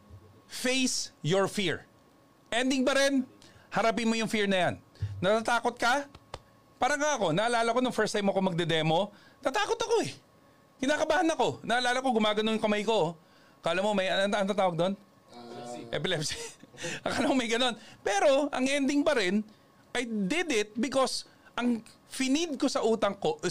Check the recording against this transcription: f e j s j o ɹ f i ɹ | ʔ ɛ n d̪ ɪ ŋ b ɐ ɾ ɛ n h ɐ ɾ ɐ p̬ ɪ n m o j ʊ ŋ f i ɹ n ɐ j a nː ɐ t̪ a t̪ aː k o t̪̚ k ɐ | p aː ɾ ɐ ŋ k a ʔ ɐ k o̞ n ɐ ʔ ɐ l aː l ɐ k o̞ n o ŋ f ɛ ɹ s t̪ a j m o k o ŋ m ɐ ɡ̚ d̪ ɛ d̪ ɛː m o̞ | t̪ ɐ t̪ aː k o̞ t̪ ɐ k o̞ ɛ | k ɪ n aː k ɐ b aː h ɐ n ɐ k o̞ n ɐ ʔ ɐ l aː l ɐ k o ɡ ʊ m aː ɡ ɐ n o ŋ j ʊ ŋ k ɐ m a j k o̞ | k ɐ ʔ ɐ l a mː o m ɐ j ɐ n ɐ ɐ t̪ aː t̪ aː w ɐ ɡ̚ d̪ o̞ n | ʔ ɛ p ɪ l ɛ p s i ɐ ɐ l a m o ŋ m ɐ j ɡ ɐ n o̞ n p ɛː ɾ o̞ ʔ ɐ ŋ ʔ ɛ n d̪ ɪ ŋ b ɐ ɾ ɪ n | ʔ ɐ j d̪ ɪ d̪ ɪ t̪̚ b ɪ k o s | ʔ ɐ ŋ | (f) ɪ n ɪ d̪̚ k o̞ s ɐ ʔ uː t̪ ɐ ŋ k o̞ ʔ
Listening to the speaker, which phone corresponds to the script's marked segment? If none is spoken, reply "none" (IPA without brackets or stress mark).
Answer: f